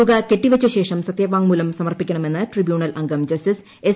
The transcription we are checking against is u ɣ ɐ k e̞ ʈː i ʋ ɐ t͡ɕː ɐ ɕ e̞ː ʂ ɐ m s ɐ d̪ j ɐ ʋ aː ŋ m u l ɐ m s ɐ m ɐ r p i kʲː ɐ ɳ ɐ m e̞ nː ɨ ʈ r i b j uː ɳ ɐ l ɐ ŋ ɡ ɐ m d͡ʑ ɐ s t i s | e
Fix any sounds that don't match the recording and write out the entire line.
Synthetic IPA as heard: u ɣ ɐ k e̞ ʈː i ʋ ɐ t͡ɕː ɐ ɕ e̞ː ʂ ɐ m s ɐ t̪ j ɐ ʋ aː ŋ m uː l ɐ m s ɐ m ɐ r p i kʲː ɐ ɳ ɐ m e̞ nː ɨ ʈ r i b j uː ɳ ɐ l ɐ ŋ ɡ ɐ m d͡ʑ ɐ s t i s | e